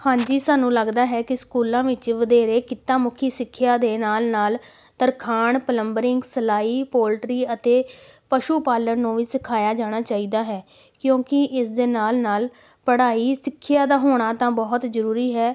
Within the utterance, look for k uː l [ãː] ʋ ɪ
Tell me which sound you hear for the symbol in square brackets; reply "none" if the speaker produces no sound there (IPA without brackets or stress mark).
ãː